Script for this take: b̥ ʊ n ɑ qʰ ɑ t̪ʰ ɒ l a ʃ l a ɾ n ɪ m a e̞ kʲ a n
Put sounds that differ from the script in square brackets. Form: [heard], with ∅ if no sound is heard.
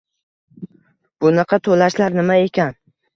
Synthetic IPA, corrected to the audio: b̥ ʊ n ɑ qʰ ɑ t̪ʰ [o] l a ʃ l a ɾ n ɪ m a e̞ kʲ a n